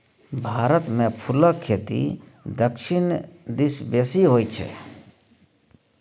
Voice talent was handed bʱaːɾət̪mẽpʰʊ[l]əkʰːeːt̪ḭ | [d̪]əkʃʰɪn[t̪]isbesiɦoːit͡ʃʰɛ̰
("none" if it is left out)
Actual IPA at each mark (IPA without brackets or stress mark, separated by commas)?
l, d̪, d̪